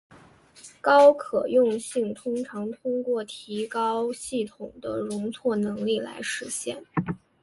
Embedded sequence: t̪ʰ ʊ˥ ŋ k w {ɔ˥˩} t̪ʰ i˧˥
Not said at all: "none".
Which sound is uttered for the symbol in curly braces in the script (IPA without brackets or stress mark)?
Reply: ɔ˥˩